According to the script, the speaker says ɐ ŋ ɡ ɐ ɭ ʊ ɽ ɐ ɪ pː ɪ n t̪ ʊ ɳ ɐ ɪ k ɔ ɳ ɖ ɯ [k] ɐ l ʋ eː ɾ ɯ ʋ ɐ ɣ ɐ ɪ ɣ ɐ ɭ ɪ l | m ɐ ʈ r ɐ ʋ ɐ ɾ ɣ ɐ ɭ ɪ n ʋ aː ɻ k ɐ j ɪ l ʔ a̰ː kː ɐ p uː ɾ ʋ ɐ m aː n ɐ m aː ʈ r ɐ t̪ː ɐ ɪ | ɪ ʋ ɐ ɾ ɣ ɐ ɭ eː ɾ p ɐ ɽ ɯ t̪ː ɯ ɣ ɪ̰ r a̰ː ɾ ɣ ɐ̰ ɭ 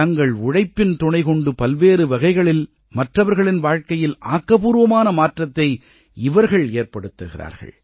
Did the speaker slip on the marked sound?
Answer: yes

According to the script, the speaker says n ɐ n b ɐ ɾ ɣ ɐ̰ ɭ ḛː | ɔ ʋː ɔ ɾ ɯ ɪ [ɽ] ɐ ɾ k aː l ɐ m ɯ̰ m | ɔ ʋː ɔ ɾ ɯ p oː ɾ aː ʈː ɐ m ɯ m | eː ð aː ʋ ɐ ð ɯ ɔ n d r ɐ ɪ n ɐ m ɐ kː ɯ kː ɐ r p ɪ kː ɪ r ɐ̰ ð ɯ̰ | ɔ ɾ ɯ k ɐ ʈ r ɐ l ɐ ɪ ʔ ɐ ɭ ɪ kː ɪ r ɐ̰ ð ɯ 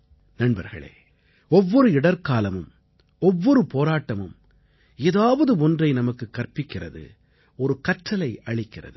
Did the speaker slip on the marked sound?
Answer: no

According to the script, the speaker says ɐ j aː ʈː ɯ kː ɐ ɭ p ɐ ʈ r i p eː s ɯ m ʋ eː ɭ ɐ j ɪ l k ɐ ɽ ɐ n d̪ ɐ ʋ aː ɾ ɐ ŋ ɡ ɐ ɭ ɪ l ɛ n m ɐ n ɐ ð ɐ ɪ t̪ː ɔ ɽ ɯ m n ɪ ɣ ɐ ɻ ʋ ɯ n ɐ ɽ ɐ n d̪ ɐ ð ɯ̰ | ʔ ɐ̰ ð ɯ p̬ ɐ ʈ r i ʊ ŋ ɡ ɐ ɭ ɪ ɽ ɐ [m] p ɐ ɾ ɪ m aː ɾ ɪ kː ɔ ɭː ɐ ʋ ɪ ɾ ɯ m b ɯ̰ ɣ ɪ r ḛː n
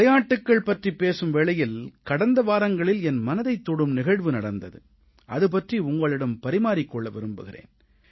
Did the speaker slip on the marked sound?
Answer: no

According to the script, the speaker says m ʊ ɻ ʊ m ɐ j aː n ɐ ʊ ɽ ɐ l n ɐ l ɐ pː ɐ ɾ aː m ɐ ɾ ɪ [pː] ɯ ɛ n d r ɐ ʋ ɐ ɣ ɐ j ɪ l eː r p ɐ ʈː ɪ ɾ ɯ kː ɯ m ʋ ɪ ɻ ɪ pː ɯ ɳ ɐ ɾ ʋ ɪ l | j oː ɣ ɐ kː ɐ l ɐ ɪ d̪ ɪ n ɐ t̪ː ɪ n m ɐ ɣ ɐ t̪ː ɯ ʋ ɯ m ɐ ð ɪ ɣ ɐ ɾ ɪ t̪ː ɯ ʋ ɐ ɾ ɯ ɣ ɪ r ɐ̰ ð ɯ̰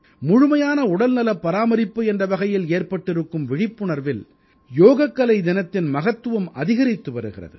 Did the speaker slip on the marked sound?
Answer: no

